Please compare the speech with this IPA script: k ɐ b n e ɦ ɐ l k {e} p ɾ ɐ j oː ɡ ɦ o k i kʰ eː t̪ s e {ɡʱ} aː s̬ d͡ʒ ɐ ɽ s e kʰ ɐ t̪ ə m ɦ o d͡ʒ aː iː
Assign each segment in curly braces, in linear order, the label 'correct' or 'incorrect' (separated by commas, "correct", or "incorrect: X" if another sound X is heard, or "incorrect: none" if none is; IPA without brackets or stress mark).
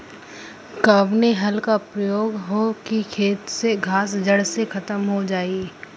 incorrect: a, correct